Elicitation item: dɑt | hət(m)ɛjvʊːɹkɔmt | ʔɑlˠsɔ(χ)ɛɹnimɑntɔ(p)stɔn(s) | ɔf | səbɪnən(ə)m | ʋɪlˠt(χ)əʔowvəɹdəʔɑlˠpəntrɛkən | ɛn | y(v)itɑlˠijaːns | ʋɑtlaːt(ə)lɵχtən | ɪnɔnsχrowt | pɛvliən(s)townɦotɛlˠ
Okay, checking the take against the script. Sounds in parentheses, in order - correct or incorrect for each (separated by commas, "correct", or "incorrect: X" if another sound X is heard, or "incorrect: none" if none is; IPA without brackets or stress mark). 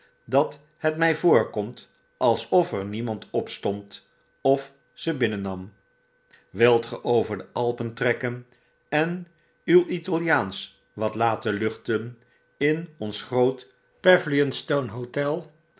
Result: correct, incorrect: f, correct, incorrect: t, incorrect: ɑ, correct, incorrect: w, correct, correct